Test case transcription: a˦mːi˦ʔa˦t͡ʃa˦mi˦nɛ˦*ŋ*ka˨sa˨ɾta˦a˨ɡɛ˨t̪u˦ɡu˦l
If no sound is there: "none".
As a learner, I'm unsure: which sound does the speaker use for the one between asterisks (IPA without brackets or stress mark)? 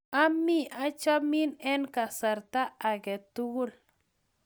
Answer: n